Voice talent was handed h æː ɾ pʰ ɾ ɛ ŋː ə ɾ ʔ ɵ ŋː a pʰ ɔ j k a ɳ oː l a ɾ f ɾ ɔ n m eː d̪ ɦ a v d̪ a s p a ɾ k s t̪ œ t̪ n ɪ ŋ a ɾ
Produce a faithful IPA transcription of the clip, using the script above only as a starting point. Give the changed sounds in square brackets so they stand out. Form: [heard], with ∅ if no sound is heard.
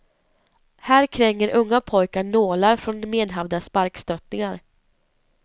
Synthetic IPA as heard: h æː ɾ [kʰ] ɾ ɛ ŋː ə ɾ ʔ ɵ ŋː a pʰ ɔ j k a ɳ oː l a ɾ f ɾ ɔ n m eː d̪ ɦ a v d̪ a s p a ɾ k s t̪ œ t̪ n ɪ ŋ a ɾ

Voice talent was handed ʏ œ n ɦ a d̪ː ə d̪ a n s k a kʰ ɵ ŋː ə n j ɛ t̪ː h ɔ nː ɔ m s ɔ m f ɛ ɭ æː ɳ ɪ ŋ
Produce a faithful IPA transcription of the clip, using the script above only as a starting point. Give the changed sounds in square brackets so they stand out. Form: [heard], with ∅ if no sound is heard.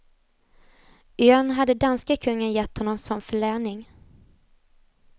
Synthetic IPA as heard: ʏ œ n ɦ a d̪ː ə d̪ a n s k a kʰ ɵ ŋː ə n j ɛ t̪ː h ɔ nː ɔ m s ɔ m f [œ] ɭ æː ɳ ɪ ŋ

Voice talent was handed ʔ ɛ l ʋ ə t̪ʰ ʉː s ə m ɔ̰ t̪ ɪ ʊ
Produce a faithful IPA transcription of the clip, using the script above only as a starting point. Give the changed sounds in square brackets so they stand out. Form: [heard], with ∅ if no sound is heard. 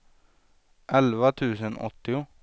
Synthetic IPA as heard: ʔ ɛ l ʋ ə t̪ʰ ʉː s ə [n] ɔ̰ t̪ ɪ ʊ

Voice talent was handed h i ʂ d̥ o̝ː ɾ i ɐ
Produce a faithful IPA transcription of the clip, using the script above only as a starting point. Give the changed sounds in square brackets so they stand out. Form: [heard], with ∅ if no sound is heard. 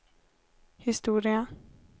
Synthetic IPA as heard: h i [s] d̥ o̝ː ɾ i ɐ

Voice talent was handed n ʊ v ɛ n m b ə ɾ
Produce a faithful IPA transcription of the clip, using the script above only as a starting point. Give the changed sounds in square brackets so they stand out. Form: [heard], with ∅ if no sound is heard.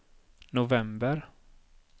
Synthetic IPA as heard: n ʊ v ɛ [∅] m b ə ɾ

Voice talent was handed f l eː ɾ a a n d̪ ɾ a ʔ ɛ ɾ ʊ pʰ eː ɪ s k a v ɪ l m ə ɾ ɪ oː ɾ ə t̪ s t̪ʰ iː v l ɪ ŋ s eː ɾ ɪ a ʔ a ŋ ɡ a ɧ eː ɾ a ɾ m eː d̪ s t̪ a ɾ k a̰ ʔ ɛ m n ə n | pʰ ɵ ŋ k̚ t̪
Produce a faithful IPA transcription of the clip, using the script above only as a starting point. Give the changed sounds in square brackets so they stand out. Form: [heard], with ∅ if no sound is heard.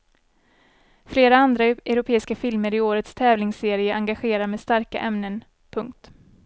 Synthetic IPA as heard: f l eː ɾ a a n d̪ ɾ a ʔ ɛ ɾ ʊ pʰ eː ɪ s k a [f] ɪ l m ə ɾ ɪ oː ɾ ə t̪ s t̪ʰ [ɛː] v l ɪ ŋ s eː ɾ ɪ [ə] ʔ a ŋ ɡ a ɧ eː ɾ a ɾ m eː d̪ s t̪ a ɾ k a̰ ʔ ɛ m n ə n | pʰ ɵ ŋ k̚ t̪

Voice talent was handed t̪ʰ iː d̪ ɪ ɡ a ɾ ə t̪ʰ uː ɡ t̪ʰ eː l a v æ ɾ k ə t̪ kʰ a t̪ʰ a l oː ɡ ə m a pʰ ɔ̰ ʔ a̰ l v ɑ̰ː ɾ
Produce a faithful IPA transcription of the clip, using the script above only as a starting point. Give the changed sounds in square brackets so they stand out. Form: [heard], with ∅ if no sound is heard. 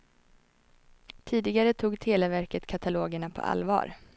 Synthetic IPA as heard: t̪ʰ iː d̪ ɪ ɡ a ɾ ə t̪ʰ uː ɡ t̪ʰ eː l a v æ ɾ k ə t̪ kʰ a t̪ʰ a l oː ɡ ə [ɳ] a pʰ ɔ̰ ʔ a̰ l v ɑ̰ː ɾ

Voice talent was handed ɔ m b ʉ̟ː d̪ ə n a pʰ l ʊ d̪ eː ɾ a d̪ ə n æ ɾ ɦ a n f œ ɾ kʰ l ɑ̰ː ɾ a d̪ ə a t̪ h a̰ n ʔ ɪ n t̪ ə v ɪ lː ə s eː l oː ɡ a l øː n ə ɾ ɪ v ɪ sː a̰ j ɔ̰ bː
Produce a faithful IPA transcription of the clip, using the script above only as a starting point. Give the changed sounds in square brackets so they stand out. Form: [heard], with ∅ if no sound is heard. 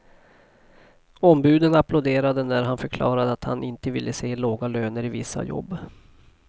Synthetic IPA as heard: ɔ m b ʉ̟ː d̪ ə n a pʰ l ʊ d̪ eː ɾ a d̪ ə n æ ɾ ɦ a n f œ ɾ kʰ l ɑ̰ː ɾ a d̪ ə a t̪ h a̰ n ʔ ɪ n t̪ ə v ɪ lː ə s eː l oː ɡ a l øː n ə ɾ ɪ v ɪ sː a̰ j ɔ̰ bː

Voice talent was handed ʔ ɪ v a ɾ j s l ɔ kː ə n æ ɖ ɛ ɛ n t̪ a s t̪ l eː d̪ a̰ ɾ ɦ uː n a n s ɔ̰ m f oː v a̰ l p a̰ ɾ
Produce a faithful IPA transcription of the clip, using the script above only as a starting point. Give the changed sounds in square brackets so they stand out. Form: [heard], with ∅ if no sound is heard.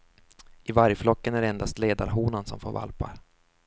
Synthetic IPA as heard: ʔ ɪ v a ɾ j [f] l ɔ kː ə n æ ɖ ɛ ɛ n [d̪] a s t̪ l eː d̪ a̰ ɾ ɦ uː n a n s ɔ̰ m f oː v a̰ l p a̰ ɾ

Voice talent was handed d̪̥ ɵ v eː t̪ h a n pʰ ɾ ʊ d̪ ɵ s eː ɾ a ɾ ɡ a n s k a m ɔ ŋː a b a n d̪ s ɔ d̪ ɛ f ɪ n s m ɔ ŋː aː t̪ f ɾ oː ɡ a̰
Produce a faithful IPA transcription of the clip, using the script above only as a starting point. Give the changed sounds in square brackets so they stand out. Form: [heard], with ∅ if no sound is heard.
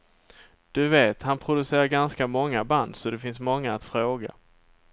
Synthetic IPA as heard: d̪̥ ɵ v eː t̪ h a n pʰ ɾ ʊ d̪ ɵ s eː ɾ a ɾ ɡ a n s k a m ɔ ŋː a b a n d̪ s ɔ d̪ ɛ f ɪ n s m ɔ ŋː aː t̪ f ɾ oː ɡ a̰

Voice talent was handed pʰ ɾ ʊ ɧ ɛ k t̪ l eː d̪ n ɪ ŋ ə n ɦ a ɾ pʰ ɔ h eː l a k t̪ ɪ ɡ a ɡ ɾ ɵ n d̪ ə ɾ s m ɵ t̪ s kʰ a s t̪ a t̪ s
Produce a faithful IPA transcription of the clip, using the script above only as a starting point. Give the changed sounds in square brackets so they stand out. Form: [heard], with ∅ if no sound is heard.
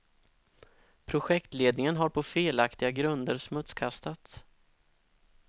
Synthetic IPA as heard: pʰ ɾ ʊ ɧ ɛ k t̪ l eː d̪ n ɪ ŋ ə n ɦ a ɾ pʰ ɔ [f] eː l a k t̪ ɪ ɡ a ɡ ɾ ɵ n d̪ ə ɾ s m ɵ t̪ s kʰ a s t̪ a t̪ s

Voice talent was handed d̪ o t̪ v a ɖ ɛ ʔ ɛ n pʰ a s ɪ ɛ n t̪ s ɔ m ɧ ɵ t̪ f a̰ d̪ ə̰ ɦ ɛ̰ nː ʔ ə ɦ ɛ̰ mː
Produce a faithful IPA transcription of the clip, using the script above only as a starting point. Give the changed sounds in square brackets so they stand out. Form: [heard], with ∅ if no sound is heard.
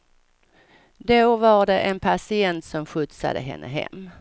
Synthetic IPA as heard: d̪ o [∅] v a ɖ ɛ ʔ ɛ n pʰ a s ɪ ɛ n t̪ s ɔ m ɧ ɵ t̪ [s] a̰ d̪ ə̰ ɦ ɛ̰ nː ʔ ə ɦ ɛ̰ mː

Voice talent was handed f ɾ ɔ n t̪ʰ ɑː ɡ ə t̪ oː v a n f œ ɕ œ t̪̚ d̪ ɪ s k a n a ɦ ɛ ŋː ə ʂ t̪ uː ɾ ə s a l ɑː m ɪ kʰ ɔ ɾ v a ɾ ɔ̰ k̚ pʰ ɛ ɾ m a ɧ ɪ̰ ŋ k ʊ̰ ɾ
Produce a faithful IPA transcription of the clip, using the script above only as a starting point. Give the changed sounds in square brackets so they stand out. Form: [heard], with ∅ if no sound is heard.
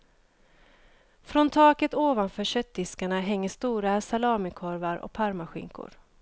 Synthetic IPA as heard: f ɾ ɔ n t̪ʰ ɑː [k] ə t̪ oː v a n f [œː] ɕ œ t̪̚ d̪ ɪ s k a [ɳ] a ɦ ɛ ŋː ə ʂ t̪ uː ɾ [a] s a l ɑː m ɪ kʰ ɔ ɾ v a ɾ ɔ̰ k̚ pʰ [a] ɾ m a ɧ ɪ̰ ŋ k ʊ̰ ɾ

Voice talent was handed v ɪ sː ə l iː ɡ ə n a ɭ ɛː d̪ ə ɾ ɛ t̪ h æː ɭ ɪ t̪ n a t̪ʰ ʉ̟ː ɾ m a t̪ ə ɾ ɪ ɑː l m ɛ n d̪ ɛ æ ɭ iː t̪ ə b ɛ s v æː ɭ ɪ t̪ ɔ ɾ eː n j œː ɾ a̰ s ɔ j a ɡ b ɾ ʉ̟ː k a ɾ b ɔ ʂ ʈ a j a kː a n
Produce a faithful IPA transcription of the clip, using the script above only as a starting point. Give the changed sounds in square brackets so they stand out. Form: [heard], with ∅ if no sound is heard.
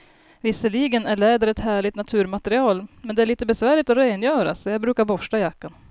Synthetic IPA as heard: v ɪ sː ə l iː ɡ ə n [æ] ɭ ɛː d̪ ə ɾ ɛ t̪ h æː ɭ ɪ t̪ n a t̪ʰ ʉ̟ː ɾ m a t̪ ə ɾ ɪ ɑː l m ɛ n d̪ ɛ æ ɭ iː t̪ ə b ɛ s v æː ɭ ɪ t̪ ɔ ɾ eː n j œː ɾ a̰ s ɔ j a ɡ b ɾ ʉ̟ː k a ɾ b ɔ ʂ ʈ a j a kː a n

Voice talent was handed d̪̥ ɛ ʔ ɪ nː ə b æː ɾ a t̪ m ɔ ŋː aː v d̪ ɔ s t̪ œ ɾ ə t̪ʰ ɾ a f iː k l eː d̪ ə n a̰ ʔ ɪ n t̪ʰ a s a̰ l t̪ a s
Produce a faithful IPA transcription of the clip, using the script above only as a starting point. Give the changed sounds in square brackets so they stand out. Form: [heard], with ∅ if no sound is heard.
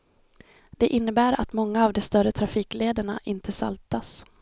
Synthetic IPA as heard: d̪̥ ɛ ʔ ɪ nː ə b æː ɾ a t̪ m ɔ ŋː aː v d̪ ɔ s t̪ œ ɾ ə t̪ʰ ɾ a f iː k l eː d̪ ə [ɳ] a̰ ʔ ɪ n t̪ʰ [ə] s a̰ l t̪ a s

